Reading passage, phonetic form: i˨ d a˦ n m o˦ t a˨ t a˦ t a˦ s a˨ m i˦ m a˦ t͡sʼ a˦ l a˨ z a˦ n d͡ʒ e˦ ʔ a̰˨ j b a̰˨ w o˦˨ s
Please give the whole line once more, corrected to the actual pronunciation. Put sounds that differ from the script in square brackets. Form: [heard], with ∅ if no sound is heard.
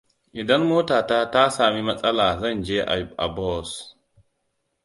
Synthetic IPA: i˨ d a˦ n m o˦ t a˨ t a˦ t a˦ s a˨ m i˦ m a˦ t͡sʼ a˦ l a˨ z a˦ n d͡ʒ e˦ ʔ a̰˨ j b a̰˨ [b] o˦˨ s